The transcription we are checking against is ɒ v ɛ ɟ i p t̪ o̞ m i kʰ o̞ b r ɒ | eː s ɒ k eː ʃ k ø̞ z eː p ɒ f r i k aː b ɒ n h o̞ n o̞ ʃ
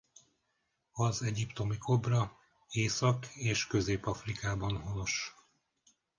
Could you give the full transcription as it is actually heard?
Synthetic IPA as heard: ɒ z ɛ ɟ i p t̪ o̞ m i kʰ o̞ b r ɒ | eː s ɒ k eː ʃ k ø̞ z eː p ɒ f r i k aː b ɒ n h o̞ n o̞ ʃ

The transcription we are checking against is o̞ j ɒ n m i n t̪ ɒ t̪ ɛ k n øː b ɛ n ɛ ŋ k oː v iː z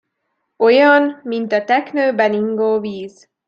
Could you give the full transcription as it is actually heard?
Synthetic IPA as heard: o̞ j ɒ n m i n t̪ ɒ t̪ ɛ k n øː b ɛ n i ŋ ɡ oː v iː z

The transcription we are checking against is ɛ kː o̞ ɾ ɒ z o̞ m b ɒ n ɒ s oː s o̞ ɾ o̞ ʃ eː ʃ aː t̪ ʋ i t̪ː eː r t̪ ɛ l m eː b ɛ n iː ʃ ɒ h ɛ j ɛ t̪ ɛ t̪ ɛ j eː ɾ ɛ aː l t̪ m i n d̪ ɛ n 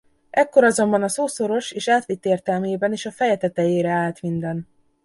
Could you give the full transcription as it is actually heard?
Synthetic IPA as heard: ɛ kː o̞ ɾ ɒ z o̞ m b ɒ n ɒ s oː s o̞ ɾ o̞ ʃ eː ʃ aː t̪ ʋ i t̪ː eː r t̪ ɛ l m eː b ɛ n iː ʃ ɒ f ɛ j ɛ t̪ ɛ t̪ ɛ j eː ɾ ɛ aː l t̪ m i n d̪ ɛ n

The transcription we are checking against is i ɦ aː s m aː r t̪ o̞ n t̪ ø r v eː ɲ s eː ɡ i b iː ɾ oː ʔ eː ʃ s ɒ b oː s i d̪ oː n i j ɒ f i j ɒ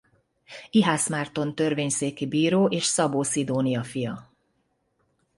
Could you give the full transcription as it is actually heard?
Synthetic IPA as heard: i ɦ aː s m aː r t̪ o̞ n t̪ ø r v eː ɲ s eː k i b iː ɾ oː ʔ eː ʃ s ɒ b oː s i d̪ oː n i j ɒ f i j ɒ

